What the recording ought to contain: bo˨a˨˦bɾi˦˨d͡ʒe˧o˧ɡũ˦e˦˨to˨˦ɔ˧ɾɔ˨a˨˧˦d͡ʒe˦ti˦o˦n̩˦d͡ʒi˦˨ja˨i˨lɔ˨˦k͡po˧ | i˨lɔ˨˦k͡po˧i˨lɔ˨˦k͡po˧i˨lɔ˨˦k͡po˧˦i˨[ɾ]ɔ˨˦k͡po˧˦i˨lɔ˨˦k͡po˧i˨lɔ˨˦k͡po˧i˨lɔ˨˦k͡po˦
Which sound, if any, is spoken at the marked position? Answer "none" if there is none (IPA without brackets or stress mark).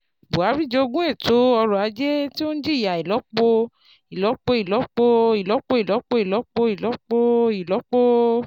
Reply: l